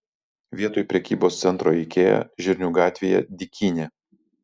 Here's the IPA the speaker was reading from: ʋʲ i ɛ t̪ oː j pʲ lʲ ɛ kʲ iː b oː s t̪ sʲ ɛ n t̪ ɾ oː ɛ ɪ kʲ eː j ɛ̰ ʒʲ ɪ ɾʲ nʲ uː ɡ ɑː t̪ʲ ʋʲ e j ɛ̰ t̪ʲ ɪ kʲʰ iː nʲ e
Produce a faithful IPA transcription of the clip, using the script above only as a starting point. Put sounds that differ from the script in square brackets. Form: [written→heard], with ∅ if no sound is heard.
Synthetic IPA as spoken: ʋʲ i ɛ t̪ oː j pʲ [lʲ→ɾʲ] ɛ kʲ iː b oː s t̪ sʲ ɛ n t̪ ɾ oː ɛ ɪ kʲ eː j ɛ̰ ʒʲ ɪ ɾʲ nʲ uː ɡ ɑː t̪ʲ ʋʲ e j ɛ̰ [t̪ʲ→d̪ʲ] ɪ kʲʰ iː nʲ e